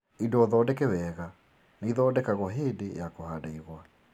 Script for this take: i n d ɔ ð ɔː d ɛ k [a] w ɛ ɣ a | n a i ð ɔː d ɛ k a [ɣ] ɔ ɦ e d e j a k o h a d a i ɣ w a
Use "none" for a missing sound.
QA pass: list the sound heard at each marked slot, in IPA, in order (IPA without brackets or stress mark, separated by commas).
ɛ, ɣ